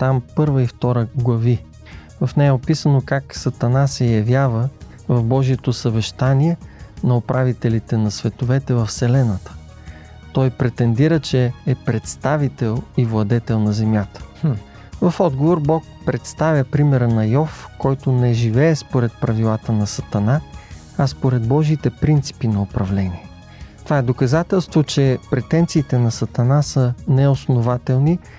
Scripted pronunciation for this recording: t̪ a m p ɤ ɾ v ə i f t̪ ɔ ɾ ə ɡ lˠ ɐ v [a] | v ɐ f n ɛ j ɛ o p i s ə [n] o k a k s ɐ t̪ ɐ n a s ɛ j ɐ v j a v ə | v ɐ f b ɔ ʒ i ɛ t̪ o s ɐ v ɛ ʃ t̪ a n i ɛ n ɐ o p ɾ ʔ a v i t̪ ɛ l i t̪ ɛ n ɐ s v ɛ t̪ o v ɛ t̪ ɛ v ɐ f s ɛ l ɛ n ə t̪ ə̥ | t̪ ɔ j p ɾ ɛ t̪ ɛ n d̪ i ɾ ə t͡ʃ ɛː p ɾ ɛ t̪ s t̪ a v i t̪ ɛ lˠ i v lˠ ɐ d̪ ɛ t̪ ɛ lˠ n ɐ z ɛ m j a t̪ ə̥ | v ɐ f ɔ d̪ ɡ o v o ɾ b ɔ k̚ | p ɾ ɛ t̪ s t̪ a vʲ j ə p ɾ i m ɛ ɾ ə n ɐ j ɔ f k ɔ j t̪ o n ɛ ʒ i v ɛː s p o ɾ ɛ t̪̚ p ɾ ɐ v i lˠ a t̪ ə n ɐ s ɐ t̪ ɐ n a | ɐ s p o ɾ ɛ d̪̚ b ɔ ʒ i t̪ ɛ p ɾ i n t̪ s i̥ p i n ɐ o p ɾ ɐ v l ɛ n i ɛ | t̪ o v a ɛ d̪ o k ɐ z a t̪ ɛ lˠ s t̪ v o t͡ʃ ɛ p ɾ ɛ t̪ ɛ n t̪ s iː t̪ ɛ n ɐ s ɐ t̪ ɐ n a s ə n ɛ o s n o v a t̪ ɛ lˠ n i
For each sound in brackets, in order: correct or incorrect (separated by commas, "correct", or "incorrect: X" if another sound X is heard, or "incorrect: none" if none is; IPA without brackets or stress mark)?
incorrect: i, correct